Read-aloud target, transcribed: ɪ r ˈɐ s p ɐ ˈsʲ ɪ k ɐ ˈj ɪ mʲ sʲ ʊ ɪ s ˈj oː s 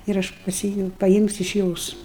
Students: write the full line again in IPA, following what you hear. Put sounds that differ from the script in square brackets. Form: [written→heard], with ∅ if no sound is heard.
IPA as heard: ɪ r ˈɐ [s→ʃ] p ɐ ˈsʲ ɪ [k→p] ɐ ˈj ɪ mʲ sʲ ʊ ɪ [s→ʃ] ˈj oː s